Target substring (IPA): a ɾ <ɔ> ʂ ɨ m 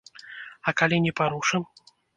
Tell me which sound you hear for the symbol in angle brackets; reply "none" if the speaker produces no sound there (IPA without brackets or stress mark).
u